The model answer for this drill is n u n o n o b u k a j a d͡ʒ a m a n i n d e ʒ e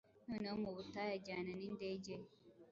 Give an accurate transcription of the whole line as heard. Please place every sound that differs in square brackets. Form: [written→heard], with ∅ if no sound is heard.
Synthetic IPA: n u n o [n→m] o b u [k→t] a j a d͡ʒ a [m→n] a n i n d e [ʒ→d͡ʒ] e